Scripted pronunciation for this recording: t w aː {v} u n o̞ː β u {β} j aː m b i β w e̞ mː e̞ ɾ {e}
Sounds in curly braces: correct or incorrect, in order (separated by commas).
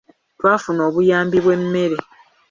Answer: incorrect, incorrect, correct